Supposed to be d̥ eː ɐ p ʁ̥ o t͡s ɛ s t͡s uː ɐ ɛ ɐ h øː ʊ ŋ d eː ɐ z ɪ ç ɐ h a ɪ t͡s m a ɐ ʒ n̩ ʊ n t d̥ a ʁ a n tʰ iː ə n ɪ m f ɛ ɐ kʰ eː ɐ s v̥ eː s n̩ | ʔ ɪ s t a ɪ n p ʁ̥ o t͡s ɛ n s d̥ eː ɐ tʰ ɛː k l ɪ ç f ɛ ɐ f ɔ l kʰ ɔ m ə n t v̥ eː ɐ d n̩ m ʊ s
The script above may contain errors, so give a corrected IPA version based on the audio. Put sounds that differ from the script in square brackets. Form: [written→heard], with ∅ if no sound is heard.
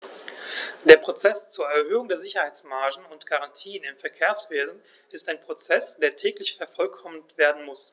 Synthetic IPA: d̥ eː ɐ p ʁ̥ o t͡s ɛ s t͡s uː ɐ ɛ ɐ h øː ʊ ŋ d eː ɐ z ɪ ç ɐ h a ɪ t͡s m a ɐ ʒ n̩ ʊ n t [d̥→ɡ̥] a ʁ a n tʰ iː ə n ɪ m f ɛ ɐ kʰ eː ɐ s v̥ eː [s→z] n̩ | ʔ ɪ s t a ɪ n p ʁ̥ o t͡s ɛ [n→∅] s d̥ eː ɐ tʰ ɛː k l ɪ ç f ɛ ɐ f ɔ l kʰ ɔ m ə n t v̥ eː ɐ d n̩ m ʊ s